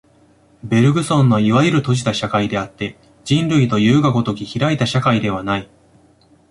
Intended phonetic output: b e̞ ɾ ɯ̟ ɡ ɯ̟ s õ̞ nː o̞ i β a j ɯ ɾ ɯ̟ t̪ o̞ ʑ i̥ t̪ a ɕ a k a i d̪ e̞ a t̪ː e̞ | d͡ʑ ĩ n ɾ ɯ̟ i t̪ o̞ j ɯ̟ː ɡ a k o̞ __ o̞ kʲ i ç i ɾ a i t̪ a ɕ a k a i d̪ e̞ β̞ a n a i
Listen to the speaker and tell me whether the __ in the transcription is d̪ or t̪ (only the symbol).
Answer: t̪